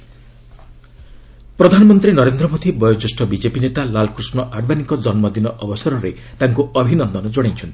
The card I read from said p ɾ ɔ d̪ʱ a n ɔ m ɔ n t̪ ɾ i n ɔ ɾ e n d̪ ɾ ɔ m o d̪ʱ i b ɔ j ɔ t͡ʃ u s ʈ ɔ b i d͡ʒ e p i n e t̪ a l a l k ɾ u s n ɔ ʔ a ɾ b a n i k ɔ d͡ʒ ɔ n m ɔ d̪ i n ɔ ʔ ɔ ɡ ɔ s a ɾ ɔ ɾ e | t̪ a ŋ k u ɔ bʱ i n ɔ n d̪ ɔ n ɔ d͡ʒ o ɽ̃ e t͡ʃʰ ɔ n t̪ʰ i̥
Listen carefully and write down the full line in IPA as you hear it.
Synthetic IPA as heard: p ɾ ɔ d̪ʱ a n ɔ m ɔ n t̪ ɾ i n ɔ ɾ e n d̪ ɾ ɔ m o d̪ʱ i b ɔ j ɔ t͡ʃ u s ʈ ɔ b i d͡ʒ e p i n e t̪ a l a l k ɾ u s n ɔ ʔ a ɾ b a n i k ɔ d͡ʒ ɔ n m ɔ d̪ i n ɔ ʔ ɔ b ɔ s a ɾ ɔ ɾ e | t̪ a ŋ k u ɔ bʱ i n ɔ n d̪ ɔ n ɔ d͡ʒ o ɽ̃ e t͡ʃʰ ɔ n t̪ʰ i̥

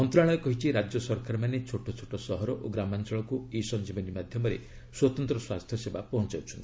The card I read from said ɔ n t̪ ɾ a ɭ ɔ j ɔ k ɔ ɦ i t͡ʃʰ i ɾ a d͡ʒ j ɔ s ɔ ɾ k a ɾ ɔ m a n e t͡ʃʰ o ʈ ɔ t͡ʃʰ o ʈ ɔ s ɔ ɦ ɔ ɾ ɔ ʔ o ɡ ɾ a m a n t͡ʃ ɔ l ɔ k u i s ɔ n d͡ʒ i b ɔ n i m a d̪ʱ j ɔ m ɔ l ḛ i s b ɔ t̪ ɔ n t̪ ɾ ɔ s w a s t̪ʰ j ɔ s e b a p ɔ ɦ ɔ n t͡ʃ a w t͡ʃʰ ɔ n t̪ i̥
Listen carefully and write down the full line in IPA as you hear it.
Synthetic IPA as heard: ɔ n t̪ ɾ a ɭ ɔ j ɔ k ɔ ɦ i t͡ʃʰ i ɾ a d͡ʒ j ɔ s ɔ ɾ k a ɾ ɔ m a n e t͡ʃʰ o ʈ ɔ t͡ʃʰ o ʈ ɔ s ɔ ɦ ɔ ɾ ɔ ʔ o ɡ ɾ a m a n t͡ʃ ɔ ɭ ɔ k u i s ɔ n d͡ʒ i b ɔ n i m a d̪ʱ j ɔ m ɔ ɾ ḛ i s w ɔ t̪ ɔ n t̪ ɾ ɔ s w a s t̪ʰ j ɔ s e b a p ɔ ɦ ɔ n t͡ʃ a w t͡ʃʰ ɔ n t̪ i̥

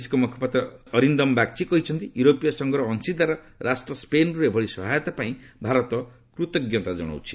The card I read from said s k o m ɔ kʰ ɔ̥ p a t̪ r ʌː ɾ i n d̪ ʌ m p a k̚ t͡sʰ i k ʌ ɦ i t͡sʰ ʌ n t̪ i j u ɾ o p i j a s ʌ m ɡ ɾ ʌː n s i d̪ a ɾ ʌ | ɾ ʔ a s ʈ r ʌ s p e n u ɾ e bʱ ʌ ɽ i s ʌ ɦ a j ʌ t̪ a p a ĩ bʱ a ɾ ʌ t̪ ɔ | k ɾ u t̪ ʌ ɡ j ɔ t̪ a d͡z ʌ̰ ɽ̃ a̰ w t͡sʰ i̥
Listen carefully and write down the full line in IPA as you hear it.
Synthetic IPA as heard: s k o m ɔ kʰ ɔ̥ p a t̪ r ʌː ɾ i n d̪ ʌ m b a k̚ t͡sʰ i k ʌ ɦ i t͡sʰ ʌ n t̪ i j u ɾ o p i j a s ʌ ŋ ɡ ɾ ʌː n s i d̪ a ɾ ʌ | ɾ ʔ a s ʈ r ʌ s p e n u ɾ e bʱ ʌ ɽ i s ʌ ɦ a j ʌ t̪ a p a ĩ bʱ a ɾ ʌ t̪ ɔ | k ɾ u t̪ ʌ ɡ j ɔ t̪ a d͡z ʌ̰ ɽ̃ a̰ w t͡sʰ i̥

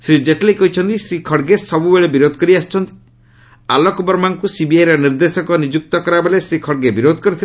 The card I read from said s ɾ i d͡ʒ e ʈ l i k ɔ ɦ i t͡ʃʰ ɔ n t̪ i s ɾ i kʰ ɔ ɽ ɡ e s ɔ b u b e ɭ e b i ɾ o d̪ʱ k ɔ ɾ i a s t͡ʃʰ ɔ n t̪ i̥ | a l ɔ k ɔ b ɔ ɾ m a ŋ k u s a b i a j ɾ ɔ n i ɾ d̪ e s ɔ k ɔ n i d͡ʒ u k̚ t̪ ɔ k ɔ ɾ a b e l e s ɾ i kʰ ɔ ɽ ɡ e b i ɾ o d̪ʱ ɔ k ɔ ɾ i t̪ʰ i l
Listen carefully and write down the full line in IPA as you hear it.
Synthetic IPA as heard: s ɾ i d͡ʒ e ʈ l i k ɔ ɦ i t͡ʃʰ ɔ n t̪ i s ɾ i kʰ ɔ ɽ ɡ e s ɔ b u b e ɭ e b i ɾ o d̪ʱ k ɔ ɾ i a s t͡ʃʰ ɔ n t̪ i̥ | a l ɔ k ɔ b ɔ ɾ m a ŋ k u s i b i a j ɾ ɔ n i ɾ d̪ e s ɔ k ɔ n i d͡ʒ u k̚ t̪ ɔ k ɔ ɾ a b e l e s ɾ i kʰ ɔ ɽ ɡ e b i ɾ o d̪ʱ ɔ k ɔ ɾ i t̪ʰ i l

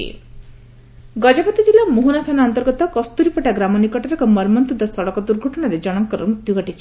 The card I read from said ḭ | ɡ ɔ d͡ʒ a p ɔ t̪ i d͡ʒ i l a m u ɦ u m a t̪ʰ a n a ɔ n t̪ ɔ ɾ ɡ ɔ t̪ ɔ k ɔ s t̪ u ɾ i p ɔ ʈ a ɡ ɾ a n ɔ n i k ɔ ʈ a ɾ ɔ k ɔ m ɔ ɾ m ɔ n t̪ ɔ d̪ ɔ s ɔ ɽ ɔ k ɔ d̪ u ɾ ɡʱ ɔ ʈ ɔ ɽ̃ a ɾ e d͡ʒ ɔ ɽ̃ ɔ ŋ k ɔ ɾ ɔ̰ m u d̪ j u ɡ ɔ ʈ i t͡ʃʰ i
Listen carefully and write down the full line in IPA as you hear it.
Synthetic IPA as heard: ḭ | ɡ ɔ d͡ʒ a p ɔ t̪ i d͡ʒ i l a m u ɦ u n a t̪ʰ a n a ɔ n t̪ ɔ ɾ ɡ ɔ t̪ ɔ k ɔ s t̪ u ɾ i p ɔ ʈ a ɡ ɾ a m ɔ n i k ɔ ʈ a ɾ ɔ k ɔ m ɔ ɾ m ɔ n t̪ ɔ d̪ ɔ s ɔ ɽ ɔ k ɔ d̪ u ɾ ɡʱ ɔ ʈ ɔ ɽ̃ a ɾ e d͡ʒ ɔ ɽ̃ ɔ ŋ k ɔ ɾ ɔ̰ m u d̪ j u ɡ ɔ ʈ i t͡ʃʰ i

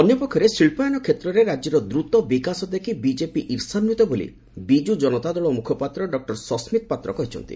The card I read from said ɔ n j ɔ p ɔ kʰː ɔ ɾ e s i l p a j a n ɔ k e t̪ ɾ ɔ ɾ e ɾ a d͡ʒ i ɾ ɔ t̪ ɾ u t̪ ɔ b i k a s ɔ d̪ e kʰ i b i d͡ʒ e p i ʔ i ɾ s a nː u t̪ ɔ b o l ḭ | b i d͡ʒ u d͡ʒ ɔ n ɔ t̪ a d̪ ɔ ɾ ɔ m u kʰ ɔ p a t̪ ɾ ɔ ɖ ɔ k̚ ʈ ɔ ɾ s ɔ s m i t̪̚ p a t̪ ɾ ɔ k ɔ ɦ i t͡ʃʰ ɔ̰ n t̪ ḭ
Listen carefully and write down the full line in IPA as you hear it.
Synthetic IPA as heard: ɔ n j ɔ p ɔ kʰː ɔ ɾ e s i ɭ p a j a n ɔ kʰ e t̪ ɾ ɔ ɾ e ɾ a d͡ʒ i ɾ ɔ d̪ ɾ u t̪ ɔ b i k a s ɔ d̪ e kʰ i b i d͡ʒ e p i ʔ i ɾ s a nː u t̪ ɔ b o l ḭ | b i d͡ʒ u d͡ʒ ɔ n ɔ t̪ a d̪ ɔ ɭ ɔ m u kʰ ɔ p a t̪ ɾ ɔ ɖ ɔ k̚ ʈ ɔ ɾ s ɔ s m i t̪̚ p a t̪ ɾ ɔ k ɔ ɦ i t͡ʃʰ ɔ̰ n t̪ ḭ

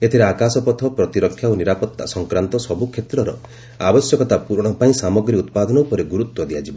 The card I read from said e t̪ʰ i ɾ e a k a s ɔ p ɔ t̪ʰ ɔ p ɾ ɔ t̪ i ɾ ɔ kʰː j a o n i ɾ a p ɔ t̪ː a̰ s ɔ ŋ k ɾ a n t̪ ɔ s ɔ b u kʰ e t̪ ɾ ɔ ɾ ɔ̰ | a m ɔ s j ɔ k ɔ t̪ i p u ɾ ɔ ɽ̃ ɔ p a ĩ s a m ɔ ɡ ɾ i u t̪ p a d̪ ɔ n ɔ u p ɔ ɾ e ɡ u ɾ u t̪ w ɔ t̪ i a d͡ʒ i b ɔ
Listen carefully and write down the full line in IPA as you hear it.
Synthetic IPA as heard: e t̪ʰ i ɾ e a k a s ɔ p ɔ t̪ʰ ɔ p ɾ ɔ t̪ i ɾ ɔ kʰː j a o n i ɾ a p ɔ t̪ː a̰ s ɔ ŋ k ɾ a n t̪ ɔ s ɔ b u kʰ e t̪ ɾ ɔ ɾ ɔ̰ | a b ɔ s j ɔ k ɔ t̪ a p u ɾ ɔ ɽ̃ ɔ p a ĩ s a m ɔ ɡ ɾ i u t̪ p a d̪ ɔ n ɔ u p ɔ ɾ e ɡ u ɾ u t̪ w ɔ d̪ i a d͡ʒ i b ɔ

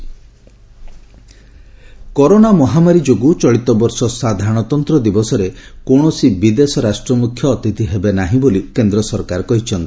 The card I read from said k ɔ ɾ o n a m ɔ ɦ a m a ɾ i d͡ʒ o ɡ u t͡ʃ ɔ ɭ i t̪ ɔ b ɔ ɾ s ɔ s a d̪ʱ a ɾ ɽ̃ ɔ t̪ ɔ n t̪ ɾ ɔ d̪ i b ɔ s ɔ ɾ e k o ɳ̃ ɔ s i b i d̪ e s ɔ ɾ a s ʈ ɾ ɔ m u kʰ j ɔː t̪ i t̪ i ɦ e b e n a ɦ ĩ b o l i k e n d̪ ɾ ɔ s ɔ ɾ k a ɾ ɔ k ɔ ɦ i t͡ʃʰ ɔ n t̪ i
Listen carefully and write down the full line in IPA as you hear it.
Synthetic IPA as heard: k ɔ ɾ o n a m ɔ ɦ a m a ɾ i d͡ʒ o ɡ u t͡ʃ ɔ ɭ i t̪ ɔ b ɔ ɾ s ɔ s a d̪ʱ a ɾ ɽ̃ ɔ t̪ ɔ n t̪ ɾ ɔ d̪ i b ɔ s ɔ ɾ e k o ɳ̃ ɔ s i b i d̪ e s ɔ ɾ a s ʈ ɾ ɔ m u kʰ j ɔː t̪ i t̪ i ɦ e b e n a ɦ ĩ b o l i k e n d̪ ɾ ɔ s ɔ ɾ k a ɾ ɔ k ɔ ɦ i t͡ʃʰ ɔ n t̪ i

